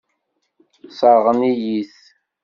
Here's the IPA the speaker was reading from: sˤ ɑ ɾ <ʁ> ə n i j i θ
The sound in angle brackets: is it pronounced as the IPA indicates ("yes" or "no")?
yes